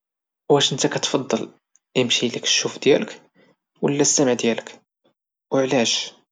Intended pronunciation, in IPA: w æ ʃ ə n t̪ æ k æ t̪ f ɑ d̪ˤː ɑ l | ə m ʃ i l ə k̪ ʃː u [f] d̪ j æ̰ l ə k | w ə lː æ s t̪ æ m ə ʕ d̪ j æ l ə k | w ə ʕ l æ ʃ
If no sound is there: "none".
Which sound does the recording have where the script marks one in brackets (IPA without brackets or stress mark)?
f